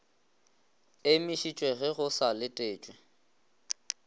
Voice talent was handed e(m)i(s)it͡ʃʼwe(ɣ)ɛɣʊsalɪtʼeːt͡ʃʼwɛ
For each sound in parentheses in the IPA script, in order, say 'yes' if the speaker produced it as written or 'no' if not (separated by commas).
yes, no, yes